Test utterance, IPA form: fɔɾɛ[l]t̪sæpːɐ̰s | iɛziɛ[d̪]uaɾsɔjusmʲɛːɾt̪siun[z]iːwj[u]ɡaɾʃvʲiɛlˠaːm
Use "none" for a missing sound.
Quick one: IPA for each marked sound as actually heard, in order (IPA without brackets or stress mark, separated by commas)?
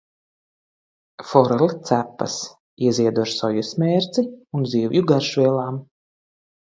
l, d̪, z, u